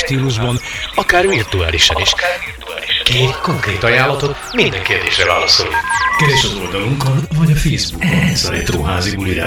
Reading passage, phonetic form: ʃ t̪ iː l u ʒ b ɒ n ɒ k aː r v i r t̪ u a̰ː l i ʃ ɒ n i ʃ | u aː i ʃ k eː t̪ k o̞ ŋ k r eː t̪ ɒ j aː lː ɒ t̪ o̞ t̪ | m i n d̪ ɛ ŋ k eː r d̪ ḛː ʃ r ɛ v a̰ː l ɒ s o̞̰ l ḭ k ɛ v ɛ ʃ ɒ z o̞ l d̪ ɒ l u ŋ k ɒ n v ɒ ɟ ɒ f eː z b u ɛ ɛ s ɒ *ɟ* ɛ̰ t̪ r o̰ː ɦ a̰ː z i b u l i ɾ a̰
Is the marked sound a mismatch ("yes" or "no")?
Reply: yes